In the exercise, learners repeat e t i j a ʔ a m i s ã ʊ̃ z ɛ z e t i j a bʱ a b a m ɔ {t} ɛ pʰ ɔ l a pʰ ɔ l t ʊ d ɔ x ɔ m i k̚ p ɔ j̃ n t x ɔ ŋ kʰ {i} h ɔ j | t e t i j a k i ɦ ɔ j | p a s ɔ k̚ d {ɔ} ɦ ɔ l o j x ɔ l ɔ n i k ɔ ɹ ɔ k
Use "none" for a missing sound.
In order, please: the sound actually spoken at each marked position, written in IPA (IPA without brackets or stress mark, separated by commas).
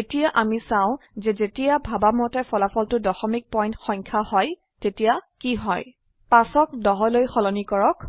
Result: t, a, ɔ